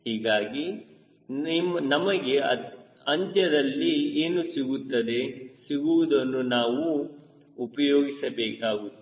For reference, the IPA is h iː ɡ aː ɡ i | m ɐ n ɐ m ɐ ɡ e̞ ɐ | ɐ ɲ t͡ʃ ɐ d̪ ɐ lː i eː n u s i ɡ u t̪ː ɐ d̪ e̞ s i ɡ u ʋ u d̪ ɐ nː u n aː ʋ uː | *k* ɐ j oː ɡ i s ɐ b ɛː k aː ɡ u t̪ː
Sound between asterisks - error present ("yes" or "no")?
yes